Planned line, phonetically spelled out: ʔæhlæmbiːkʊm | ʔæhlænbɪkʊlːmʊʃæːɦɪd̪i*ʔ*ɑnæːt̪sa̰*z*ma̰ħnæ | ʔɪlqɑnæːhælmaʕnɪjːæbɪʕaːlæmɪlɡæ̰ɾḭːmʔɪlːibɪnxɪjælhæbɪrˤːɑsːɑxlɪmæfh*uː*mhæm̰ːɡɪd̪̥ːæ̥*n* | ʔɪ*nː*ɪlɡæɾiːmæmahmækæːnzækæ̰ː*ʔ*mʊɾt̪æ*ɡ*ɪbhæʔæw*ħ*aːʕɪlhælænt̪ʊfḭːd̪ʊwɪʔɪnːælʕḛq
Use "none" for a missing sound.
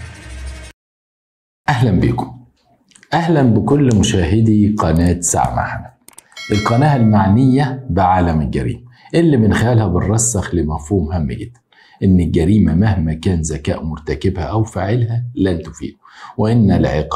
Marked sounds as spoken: q, ʕ, uː, n, nː, ʔ, k, f

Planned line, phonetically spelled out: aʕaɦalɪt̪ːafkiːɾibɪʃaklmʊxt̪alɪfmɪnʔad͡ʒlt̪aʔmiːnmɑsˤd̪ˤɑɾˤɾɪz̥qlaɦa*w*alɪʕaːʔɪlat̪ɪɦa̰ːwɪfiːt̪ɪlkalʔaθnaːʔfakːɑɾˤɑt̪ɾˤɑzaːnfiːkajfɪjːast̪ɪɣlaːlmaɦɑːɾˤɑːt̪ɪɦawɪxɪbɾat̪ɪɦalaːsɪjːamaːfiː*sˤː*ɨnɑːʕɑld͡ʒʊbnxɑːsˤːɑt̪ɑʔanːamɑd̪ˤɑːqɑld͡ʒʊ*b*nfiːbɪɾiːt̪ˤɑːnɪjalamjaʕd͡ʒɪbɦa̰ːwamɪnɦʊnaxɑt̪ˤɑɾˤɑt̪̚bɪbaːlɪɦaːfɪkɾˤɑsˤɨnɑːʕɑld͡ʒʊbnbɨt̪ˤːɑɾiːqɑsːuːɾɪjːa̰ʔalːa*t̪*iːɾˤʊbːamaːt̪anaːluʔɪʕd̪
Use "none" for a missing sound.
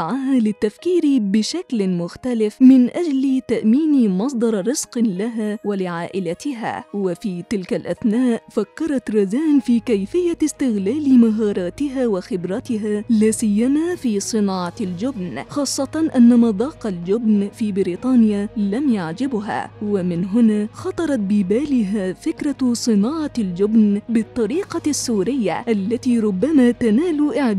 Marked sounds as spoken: w, sˤ, b, t̪

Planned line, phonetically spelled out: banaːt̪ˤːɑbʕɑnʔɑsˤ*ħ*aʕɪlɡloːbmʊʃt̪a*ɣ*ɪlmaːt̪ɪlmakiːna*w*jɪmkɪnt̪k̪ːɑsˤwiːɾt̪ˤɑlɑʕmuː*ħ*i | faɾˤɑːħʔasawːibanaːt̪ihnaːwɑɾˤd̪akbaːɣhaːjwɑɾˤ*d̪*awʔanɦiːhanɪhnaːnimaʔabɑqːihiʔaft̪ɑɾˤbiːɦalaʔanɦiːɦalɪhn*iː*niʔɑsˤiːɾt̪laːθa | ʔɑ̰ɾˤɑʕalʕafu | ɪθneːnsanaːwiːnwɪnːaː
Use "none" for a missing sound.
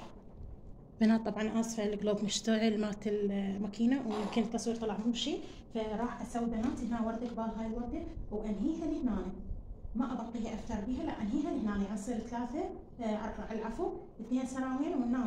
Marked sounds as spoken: f, ʕ, w, ʃ, d̪, aː

